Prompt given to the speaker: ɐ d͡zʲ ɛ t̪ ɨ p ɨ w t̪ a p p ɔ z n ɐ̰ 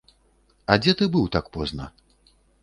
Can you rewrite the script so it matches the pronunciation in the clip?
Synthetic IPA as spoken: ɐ d͡zʲ ɛ t̪ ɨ b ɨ w t̪ a k p ɔ z n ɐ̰